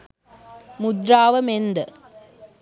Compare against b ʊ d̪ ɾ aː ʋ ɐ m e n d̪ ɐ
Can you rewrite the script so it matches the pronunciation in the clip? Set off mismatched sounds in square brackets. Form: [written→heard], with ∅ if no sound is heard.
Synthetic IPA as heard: [b→m] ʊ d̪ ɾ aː ʋ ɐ m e n d̪ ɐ

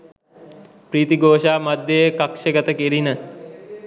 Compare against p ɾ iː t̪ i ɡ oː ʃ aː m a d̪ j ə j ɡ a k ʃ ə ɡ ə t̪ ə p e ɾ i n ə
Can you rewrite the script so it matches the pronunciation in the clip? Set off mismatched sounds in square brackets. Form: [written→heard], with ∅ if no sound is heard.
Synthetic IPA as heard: p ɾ iː t̪ i ɡ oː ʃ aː m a d̪ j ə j [ɡ→k] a k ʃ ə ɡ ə t̪ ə [p→k] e ɾ i n ə

